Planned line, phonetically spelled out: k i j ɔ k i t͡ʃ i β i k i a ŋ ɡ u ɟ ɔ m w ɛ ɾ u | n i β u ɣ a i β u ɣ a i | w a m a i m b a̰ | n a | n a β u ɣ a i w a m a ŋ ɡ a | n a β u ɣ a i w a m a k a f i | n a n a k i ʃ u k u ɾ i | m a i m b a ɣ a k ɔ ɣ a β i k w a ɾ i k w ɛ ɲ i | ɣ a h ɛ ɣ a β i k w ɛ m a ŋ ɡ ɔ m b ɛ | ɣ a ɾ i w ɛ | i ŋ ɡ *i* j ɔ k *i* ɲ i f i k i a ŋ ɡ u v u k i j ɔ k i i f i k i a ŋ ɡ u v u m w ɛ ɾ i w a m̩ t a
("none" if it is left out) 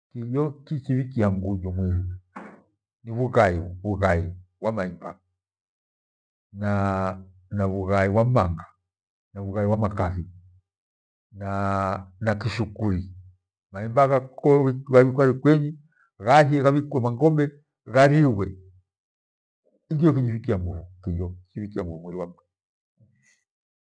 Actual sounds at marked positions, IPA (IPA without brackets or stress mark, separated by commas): i, i